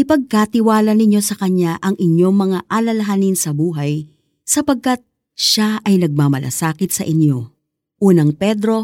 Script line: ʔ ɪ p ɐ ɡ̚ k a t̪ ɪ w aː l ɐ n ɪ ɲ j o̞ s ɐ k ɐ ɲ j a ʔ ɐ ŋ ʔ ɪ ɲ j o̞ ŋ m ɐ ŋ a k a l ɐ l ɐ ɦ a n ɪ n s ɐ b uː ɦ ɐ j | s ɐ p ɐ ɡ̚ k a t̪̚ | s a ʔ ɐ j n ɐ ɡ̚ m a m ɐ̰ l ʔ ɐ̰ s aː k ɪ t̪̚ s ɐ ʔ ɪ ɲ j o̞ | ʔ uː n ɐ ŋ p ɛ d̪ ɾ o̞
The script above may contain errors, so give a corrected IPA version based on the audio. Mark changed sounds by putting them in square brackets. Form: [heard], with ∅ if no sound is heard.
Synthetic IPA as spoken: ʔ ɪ p ɐ ɡ̚ k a t̪ ɪ w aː l ɐ n ɪ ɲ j o̞ s ɐ k ɐ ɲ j a ʔ ɐ ŋ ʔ ɪ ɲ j o̞ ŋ m ɐ ŋ a [ʔ] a l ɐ l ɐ ɦ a n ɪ n s ɐ b uː ɦ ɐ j | s ɐ p ɐ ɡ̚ k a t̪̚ | [ʃ] a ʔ ɐ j n ɐ ɡ̚ m a m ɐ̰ l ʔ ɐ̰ s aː k ɪ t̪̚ s ɐ ʔ ɪ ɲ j o̞ | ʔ uː n ɐ ŋ p ɛ d̪ ɾ o̞